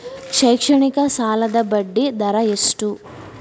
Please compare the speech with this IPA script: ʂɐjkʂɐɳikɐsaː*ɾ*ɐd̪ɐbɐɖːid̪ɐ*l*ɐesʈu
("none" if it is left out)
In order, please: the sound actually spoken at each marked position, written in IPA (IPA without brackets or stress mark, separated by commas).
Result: l, ɾ